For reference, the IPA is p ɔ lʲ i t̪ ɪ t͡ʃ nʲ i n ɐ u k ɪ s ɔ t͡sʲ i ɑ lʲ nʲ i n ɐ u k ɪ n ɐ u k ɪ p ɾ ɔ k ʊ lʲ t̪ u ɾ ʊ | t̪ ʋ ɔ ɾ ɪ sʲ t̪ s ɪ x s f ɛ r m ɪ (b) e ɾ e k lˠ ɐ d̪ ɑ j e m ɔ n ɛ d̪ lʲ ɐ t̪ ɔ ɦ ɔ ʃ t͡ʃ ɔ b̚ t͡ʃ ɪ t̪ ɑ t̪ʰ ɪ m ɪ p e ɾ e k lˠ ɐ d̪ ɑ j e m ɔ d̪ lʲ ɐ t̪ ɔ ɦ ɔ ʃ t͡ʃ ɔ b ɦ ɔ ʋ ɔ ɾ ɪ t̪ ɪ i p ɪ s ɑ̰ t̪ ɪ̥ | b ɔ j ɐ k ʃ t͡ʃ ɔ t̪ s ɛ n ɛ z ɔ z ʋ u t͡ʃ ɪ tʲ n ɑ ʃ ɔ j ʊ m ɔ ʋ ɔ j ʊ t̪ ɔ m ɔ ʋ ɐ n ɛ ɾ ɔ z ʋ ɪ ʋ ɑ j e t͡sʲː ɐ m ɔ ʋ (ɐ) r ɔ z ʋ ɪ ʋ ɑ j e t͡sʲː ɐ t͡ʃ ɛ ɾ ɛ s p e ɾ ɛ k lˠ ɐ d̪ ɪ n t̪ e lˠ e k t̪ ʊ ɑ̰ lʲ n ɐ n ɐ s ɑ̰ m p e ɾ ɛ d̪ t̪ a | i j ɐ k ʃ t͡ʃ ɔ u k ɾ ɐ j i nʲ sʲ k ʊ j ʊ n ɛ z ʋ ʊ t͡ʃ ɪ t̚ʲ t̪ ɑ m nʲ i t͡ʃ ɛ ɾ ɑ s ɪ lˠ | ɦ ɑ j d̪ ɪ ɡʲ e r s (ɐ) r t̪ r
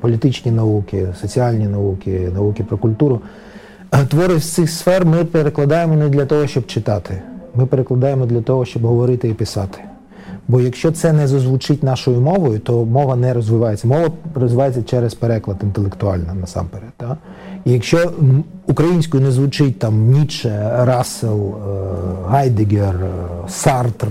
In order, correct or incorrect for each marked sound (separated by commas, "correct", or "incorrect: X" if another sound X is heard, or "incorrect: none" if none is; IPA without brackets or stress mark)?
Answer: incorrect: p, correct, incorrect: ɑ